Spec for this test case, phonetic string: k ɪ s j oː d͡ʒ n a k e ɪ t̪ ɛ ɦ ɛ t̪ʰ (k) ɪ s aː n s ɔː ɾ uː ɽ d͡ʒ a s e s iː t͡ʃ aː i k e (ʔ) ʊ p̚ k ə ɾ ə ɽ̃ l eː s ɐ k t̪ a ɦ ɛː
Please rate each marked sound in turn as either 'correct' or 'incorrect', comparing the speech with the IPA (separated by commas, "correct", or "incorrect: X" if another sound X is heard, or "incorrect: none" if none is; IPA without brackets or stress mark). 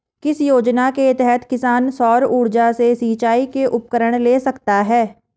correct, correct